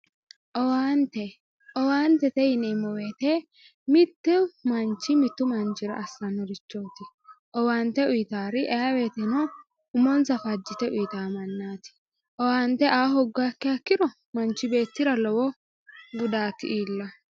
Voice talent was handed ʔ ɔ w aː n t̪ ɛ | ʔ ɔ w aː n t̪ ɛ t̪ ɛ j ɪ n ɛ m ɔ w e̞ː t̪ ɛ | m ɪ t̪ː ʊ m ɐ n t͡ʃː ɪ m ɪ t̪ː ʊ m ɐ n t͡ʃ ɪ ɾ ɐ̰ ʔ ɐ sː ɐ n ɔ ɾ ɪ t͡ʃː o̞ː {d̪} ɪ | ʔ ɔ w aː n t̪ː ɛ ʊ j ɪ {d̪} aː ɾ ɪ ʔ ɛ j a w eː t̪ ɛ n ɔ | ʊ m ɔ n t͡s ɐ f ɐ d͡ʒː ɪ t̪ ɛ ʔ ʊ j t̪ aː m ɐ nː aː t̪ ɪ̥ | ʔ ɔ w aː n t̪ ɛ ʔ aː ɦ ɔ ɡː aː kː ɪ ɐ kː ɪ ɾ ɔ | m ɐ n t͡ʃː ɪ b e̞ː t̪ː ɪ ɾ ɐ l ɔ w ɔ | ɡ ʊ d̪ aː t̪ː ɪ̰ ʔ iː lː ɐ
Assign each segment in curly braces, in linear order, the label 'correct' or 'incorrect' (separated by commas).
incorrect, incorrect